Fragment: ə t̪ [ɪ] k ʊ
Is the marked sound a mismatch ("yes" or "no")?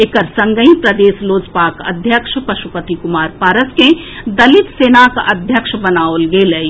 yes